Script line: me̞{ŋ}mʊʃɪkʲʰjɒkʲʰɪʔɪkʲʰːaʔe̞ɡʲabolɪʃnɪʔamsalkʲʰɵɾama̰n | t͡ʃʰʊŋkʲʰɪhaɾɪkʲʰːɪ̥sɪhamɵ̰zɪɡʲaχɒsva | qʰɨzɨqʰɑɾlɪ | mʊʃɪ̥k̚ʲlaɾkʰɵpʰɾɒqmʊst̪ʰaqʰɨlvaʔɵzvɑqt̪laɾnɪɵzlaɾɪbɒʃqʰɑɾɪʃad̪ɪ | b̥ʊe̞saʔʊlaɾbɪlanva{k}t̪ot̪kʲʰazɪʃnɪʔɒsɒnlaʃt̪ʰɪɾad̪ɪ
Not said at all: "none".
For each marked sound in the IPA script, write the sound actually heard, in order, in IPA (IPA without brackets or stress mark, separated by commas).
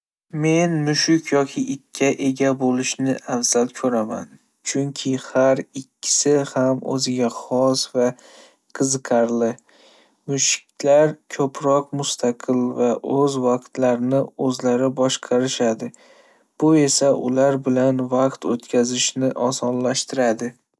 n, q